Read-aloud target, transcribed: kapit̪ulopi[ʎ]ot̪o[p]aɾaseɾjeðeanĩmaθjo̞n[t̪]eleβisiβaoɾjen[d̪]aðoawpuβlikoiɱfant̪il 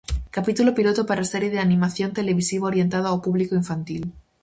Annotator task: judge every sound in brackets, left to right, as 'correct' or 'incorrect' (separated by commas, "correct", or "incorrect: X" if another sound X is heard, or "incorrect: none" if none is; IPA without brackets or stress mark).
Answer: incorrect: l, correct, correct, incorrect: t̪